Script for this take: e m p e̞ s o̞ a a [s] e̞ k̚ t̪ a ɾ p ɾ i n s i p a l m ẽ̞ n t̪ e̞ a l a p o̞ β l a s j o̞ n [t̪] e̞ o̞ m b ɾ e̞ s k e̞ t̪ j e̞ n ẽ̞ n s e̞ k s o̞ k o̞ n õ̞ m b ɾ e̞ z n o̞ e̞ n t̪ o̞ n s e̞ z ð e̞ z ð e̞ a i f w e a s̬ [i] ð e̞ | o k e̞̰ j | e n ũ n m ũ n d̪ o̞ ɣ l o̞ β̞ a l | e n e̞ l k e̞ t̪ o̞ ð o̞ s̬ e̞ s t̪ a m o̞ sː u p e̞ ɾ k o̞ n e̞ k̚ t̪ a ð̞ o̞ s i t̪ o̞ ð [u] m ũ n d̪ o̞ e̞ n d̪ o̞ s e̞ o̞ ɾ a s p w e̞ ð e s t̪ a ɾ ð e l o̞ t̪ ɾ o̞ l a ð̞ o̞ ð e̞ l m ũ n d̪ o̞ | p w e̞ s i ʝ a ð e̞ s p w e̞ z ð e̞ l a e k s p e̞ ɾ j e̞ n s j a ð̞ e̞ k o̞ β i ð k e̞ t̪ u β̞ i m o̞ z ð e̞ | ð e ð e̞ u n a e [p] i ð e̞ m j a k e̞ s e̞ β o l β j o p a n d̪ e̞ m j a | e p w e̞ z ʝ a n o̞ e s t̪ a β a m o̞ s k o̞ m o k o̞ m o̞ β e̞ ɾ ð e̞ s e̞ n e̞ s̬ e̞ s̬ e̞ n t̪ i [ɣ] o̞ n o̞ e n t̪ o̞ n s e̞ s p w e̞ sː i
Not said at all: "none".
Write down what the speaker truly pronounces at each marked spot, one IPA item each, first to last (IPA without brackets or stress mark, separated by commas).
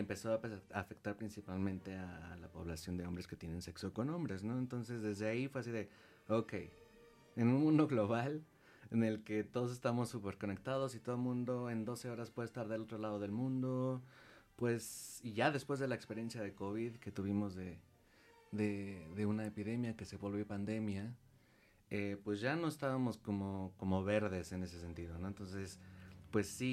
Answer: f, d̪, i, o, p, ð